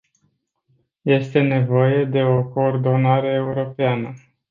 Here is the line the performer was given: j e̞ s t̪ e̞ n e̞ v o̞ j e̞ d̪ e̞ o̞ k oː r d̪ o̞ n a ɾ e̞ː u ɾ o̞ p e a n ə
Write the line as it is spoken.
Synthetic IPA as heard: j e̞ s t̪ e̞ n e̞ v o̞ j e̞ d̪ e̞ o̞ k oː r d̪ o̞ n a ɾ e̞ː u ɾ o̞ p e a n ə